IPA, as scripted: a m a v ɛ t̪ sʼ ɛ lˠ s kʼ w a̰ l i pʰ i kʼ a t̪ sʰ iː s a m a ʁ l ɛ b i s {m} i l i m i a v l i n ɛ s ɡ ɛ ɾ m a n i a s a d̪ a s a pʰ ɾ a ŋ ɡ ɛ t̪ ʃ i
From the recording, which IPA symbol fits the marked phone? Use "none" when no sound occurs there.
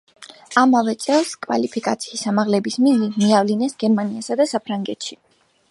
m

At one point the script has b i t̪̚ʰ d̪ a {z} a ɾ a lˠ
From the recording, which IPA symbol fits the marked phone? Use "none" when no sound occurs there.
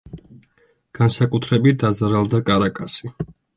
z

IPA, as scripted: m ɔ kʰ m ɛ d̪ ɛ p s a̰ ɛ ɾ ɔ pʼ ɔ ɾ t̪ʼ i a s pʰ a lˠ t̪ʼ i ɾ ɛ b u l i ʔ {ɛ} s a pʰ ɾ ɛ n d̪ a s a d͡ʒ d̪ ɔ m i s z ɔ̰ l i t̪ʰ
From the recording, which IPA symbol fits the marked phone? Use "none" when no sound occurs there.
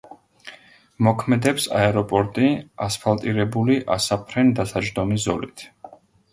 a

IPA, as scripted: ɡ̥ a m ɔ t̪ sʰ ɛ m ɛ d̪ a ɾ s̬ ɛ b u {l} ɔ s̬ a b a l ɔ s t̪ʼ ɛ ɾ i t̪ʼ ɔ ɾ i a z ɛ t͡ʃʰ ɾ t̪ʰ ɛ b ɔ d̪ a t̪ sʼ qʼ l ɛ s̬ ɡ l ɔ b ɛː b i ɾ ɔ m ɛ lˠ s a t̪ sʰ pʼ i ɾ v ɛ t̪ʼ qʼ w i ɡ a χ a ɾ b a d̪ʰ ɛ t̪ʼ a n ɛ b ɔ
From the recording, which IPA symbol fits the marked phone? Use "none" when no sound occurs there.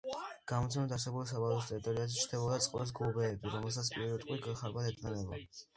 l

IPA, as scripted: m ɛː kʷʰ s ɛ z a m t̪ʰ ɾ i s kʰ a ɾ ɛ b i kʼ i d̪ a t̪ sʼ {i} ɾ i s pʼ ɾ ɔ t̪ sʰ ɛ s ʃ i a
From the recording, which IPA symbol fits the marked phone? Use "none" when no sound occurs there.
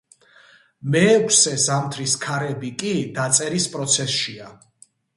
ɛ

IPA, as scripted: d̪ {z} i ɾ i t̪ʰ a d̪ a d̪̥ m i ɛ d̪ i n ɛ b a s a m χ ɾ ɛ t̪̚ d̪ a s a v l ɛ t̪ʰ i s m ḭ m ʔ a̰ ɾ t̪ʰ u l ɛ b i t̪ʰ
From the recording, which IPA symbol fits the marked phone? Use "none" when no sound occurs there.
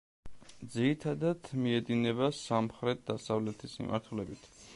z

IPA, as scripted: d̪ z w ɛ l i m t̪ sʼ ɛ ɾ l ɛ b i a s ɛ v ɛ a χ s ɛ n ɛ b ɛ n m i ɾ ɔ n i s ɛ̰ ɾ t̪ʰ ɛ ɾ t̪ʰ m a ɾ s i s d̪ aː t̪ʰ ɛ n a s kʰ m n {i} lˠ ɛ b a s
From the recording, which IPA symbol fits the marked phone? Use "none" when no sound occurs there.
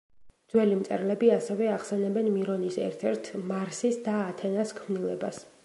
i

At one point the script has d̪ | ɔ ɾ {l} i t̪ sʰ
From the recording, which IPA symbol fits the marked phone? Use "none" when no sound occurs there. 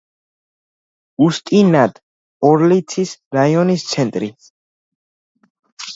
l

